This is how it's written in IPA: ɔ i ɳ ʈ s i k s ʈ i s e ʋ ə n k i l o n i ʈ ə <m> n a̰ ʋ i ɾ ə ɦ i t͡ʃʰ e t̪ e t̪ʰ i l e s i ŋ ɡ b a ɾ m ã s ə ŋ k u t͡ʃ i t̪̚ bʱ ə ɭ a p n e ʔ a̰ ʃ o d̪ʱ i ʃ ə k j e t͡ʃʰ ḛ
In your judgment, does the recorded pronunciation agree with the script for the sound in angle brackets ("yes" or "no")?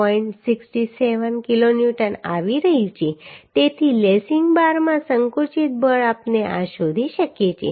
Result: no